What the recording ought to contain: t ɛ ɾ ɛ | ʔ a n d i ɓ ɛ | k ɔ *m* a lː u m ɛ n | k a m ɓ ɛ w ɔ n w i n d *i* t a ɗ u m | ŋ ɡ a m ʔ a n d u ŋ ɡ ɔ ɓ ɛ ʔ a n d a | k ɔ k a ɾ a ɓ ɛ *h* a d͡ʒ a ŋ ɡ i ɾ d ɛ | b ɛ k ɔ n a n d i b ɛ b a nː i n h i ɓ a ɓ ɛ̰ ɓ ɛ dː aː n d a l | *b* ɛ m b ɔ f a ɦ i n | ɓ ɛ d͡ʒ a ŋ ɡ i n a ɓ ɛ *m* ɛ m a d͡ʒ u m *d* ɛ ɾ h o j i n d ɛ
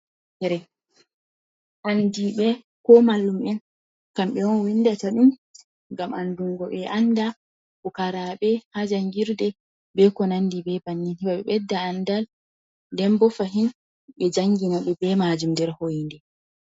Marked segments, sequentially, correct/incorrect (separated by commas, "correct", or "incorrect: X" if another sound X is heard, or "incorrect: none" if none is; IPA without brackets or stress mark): correct, incorrect: a, correct, incorrect: d, incorrect: b, correct